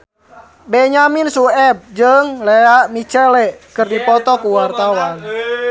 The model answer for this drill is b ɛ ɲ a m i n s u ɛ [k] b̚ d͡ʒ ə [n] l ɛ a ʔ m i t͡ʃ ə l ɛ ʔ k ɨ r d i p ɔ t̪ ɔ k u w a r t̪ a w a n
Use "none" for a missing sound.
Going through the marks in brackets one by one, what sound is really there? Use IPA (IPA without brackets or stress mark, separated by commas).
none, ŋ